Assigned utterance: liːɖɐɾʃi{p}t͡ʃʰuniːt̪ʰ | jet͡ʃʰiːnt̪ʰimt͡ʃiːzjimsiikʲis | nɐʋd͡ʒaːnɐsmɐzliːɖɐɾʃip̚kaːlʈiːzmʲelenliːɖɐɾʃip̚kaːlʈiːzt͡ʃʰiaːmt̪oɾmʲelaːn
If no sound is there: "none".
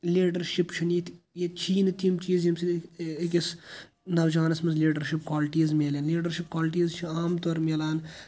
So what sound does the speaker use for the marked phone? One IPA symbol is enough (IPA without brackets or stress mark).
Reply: p